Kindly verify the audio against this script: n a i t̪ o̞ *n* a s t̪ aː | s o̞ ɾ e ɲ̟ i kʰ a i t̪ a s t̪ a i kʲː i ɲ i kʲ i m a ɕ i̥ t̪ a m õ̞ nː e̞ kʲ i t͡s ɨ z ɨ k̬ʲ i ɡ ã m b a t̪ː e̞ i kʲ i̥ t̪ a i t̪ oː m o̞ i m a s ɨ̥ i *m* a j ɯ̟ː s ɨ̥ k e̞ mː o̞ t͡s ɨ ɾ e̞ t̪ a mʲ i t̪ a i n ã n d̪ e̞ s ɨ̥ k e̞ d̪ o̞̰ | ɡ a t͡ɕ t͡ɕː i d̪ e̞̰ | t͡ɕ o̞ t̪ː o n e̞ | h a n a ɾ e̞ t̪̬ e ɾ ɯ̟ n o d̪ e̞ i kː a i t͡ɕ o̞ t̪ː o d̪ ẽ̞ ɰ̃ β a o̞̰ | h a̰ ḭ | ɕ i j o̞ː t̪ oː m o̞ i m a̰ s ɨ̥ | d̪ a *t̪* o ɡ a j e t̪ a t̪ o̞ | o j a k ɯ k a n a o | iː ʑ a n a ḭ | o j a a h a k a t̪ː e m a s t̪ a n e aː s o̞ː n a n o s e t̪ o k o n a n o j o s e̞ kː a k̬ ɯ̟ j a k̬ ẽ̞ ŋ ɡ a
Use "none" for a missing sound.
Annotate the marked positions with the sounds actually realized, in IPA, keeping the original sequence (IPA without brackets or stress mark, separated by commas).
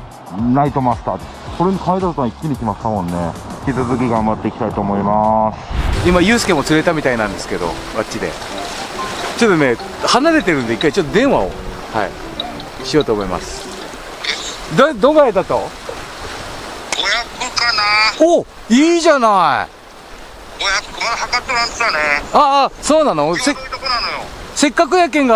m, m, d̪